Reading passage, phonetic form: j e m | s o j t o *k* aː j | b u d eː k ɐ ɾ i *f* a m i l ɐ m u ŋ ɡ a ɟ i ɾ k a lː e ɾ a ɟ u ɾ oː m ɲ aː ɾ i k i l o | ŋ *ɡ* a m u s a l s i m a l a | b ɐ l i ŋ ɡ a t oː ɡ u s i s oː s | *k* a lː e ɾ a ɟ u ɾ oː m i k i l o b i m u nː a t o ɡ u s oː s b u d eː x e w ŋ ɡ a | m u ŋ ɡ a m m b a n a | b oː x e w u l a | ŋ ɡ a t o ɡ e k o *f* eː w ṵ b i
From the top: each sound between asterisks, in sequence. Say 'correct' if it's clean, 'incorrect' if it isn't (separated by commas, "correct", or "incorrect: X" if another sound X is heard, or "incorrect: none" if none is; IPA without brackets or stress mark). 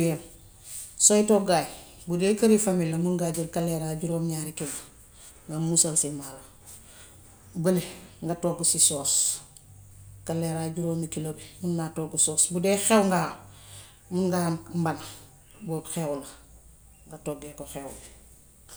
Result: incorrect: ɡ, correct, correct, correct, incorrect: x